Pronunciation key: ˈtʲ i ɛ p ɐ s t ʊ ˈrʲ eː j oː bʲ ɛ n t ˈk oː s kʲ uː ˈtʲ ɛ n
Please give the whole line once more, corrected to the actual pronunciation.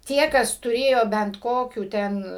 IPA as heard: ˈtʲ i ɛ k ɐ s t ʊ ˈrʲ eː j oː bʲ ɛ n t ˈk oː kʲ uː ˈtʲ ɛ n